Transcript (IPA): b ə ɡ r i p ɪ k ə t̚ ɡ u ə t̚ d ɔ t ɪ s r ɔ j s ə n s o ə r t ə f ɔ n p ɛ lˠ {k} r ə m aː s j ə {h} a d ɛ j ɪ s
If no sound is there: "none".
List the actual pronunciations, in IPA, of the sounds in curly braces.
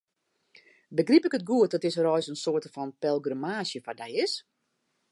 ɡ, f

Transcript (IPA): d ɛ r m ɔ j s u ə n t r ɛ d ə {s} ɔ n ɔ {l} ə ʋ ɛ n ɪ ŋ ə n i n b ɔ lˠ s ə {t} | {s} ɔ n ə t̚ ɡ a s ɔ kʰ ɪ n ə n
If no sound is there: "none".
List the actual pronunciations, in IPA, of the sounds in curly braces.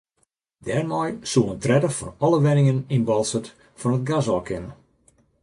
f, l, t, f

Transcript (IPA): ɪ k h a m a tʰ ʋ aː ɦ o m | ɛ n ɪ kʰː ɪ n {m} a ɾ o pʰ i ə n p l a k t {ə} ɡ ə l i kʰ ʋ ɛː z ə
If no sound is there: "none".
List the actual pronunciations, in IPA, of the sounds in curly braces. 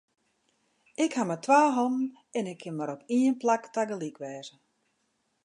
m, a

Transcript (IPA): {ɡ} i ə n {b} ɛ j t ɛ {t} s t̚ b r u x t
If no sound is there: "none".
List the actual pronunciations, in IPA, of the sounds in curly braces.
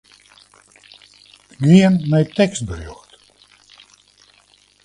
ɡ, m, k

